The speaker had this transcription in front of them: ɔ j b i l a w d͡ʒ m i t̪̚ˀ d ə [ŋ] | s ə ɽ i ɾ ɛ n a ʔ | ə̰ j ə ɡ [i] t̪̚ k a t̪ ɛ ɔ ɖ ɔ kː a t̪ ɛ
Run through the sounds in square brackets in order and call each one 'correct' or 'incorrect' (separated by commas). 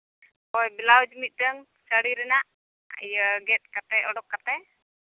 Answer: correct, incorrect